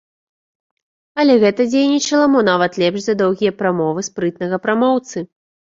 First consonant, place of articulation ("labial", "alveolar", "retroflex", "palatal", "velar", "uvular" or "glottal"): alveolar